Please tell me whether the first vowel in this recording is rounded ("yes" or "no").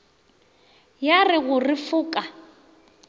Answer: no